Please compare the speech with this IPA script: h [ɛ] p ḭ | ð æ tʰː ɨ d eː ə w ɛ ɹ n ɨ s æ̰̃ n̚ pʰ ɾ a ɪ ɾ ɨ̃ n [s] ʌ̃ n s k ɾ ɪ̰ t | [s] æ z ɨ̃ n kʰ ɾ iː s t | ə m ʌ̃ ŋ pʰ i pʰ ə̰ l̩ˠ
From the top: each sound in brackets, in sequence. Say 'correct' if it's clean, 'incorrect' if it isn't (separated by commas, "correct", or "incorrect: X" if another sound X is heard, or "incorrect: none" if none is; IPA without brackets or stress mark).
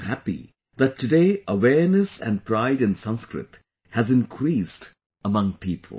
incorrect: æ, correct, incorrect: h